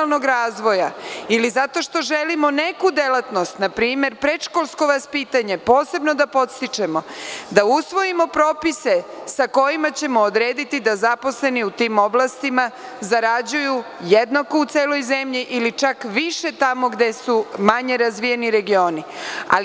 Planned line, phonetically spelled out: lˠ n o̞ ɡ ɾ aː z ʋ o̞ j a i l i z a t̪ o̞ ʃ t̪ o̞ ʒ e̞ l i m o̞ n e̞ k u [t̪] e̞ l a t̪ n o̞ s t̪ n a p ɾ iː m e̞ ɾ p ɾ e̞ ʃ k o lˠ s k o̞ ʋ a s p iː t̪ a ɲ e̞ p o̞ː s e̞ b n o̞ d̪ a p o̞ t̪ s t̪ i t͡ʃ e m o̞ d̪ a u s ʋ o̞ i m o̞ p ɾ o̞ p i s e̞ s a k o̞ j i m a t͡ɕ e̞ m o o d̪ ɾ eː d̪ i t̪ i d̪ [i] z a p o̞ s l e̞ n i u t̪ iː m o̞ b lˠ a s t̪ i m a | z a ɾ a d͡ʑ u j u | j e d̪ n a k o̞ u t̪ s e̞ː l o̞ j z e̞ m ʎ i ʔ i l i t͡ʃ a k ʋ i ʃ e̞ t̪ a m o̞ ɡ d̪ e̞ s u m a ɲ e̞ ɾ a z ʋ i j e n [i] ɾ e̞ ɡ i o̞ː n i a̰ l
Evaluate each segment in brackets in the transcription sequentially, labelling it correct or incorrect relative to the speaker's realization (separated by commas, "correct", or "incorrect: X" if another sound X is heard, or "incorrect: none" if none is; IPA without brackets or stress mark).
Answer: incorrect: d̪, incorrect: a, correct